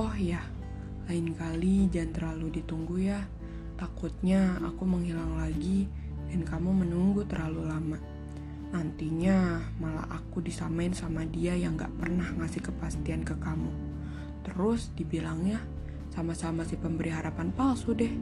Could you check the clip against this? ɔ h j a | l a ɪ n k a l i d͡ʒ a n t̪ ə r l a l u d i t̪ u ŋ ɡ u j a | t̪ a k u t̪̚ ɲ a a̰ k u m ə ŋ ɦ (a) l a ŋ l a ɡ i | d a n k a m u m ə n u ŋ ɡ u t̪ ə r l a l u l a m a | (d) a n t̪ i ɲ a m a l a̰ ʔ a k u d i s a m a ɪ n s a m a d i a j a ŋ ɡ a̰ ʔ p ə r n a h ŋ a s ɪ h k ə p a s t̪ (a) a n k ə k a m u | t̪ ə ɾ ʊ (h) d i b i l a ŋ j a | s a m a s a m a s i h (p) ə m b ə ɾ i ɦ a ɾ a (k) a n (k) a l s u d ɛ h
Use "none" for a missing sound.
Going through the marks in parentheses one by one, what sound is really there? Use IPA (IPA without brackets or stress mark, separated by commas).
i, n, i, s, p, p, p